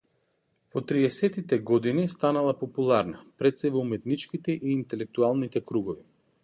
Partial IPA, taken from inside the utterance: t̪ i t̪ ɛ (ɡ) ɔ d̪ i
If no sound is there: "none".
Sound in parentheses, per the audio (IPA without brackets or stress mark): ɡ